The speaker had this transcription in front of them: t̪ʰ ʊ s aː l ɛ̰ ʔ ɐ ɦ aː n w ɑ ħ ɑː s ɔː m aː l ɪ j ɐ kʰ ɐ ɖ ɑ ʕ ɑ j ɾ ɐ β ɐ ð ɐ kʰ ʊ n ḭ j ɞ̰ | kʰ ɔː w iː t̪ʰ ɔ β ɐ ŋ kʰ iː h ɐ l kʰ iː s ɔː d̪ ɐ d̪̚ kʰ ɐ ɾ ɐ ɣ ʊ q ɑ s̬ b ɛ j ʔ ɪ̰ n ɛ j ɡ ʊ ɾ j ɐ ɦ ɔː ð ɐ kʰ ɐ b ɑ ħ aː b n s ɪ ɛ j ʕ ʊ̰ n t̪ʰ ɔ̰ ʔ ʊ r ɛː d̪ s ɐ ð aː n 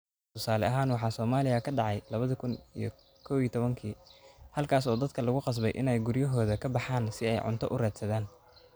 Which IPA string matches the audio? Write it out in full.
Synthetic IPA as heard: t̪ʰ ʊ s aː l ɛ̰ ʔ ɐ ɦ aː n w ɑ ħ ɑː s ɔː m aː l ɪ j ɐ kʰ ɐ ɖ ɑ ʕ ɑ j l ɐ β ɐ ð ɐ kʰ ʊ n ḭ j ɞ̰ | kʰ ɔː w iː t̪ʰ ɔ β ɐ ŋ kʰ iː h ɐ l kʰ aː s ɔː d̪ ɐ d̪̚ kʰ ɐ l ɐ ɣ ʊ q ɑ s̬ b ɛ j ʔ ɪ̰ n ɛ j ɡ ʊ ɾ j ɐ ɦ ɔː ð ɐ kʰ ɐ b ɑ ħ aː n s ɪ ɛ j ʕ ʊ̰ n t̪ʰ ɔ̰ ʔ ʊ r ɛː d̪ s ɐ ð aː n

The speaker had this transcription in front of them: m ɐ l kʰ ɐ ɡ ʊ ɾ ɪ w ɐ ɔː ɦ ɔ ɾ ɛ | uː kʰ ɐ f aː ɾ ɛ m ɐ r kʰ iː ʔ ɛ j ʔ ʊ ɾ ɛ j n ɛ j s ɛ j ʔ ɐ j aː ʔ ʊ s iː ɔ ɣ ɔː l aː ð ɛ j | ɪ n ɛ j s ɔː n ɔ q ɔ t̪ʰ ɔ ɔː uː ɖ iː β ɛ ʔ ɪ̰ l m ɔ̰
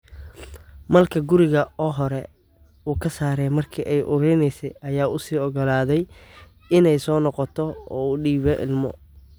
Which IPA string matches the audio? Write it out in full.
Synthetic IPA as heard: m ɐ l kʰ ɐ ɡ ʊ ɾ ɪ ɣ ɐ ɔː ɦ ɔ ɾ ɛ | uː kʰ ɐ s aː ɾ ɛ m ɐ r kʰ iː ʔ ɛ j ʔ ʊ ɾ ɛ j n ɛ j s ɛ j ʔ ɐ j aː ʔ ʊ s iː ɔ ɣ ɔ l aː ð ɛ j | ɪ n ɛ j s ɔː n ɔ q ɔ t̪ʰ ɔ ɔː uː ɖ iː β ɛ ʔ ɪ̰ l m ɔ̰

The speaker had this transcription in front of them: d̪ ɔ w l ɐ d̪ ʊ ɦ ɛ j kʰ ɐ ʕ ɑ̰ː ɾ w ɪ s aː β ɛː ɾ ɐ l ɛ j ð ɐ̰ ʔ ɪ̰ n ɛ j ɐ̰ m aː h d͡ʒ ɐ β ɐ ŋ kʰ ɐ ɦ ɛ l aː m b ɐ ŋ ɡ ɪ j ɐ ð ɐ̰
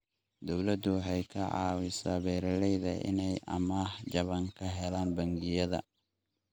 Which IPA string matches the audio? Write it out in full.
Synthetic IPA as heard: d̪ ɔ w l ɐ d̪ ʊ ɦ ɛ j kʰ ɐ ʕ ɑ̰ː w ɪ s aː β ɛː ɾ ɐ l ɛ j ð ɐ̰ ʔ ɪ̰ n ɛ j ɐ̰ m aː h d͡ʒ ɐ β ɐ ŋ kʰ ɐ ɦ ɛ l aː n b ɐ ŋ ɡ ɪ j ɐ ð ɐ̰

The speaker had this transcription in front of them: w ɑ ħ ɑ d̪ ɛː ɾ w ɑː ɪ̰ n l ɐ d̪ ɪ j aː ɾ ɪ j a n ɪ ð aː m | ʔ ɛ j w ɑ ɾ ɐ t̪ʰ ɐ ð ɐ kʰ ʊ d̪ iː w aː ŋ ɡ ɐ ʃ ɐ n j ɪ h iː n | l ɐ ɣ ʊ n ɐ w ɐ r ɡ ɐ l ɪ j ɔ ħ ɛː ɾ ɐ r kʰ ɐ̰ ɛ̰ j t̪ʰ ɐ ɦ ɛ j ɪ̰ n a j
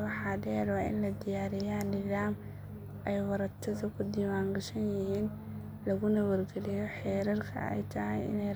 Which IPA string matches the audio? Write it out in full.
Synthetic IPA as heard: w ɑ ħ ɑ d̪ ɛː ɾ w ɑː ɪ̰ n l ɐ d̪ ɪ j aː ɾ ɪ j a n ɪ ð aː m | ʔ ɛ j w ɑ ɾ ɐ t̪ʰ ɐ ð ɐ kʰ ʊ d̪ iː w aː ŋ ɡ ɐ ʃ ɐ n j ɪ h iː n | l ɐ ɣ ʊ n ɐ w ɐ r ɡ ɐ l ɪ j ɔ ħ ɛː ɾ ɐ r kʰ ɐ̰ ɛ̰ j t̪ʰ ɐ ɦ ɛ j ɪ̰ n ɛ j

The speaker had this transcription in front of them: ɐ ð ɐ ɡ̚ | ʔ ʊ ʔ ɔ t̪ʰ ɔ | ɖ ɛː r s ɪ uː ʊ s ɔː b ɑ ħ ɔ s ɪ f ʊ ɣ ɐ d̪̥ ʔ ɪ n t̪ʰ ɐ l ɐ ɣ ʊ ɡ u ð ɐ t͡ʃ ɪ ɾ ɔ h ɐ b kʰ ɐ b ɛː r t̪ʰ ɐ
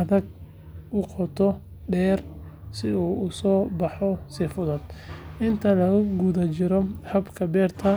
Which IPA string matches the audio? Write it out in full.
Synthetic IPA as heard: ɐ ð ɐ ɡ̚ | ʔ ʊ q ɔ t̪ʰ ɔ | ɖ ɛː r s ɪ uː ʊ s ɔː b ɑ ħ ɔ s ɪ f ʊ ð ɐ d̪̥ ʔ ɪ n t̪ʰ ɐ l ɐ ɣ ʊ ɡ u ð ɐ t͡ʃ ɪ ɾ ɔ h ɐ b kʰ ɐ b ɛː r t̪ʰ ɐ

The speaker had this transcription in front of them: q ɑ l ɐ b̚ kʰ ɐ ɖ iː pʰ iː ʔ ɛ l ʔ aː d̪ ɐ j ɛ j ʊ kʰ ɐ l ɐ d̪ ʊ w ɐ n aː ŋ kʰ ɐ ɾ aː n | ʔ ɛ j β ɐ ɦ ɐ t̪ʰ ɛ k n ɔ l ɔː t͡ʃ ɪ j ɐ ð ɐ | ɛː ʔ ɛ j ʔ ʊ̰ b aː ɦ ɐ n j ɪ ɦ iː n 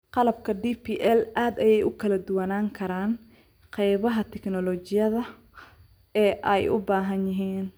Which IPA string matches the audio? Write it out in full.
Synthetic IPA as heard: q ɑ l ɐ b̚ kʰ ɐ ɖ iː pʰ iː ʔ ɛ l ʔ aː d̪ ɐ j ɛ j ʊ kʰ ɐ l ɐ d̪ ʊ w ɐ n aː ŋ kʰ ɐ ɾ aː n | q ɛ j β ɐ ɦ ɐ t̪ʰ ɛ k n ɔ l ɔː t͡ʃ ɪ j ɐ ð ɐ | ɛː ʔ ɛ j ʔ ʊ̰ b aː ɦ ɐ n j ɪ ɦ iː n

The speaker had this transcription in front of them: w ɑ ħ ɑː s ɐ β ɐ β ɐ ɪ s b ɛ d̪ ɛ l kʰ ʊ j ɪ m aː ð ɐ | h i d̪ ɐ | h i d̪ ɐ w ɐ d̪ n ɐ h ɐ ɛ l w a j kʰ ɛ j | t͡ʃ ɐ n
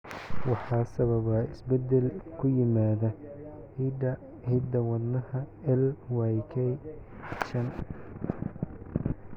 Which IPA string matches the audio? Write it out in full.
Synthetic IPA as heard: w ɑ ħ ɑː s ɐ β ɐ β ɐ ɪ s b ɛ d̪ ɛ l kʰ ʊ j ɪ m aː ð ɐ | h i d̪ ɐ | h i d̪ ɐ w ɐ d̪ n ɐ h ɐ ɛ l w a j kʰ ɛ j | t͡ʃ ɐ n

